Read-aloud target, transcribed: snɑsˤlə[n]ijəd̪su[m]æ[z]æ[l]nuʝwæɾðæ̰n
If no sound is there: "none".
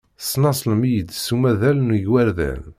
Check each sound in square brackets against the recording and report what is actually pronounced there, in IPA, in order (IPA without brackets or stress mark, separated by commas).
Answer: m, m, ð, l